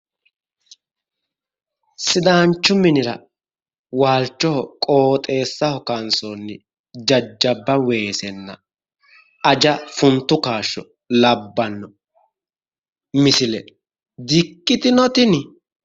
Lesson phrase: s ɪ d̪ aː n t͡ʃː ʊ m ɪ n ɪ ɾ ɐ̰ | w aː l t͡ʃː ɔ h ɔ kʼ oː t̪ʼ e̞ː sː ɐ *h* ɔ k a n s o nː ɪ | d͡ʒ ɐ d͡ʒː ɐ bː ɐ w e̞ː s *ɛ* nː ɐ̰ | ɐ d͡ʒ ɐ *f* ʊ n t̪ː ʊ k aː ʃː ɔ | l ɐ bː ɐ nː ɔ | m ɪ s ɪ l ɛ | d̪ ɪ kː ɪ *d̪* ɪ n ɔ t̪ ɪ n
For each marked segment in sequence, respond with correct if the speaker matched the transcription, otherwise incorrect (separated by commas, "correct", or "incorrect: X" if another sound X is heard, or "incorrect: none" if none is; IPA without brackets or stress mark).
correct, correct, correct, incorrect: t̪